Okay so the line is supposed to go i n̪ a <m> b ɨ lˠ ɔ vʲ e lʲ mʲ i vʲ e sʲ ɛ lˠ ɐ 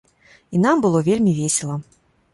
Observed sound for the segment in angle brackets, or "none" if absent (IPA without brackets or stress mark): m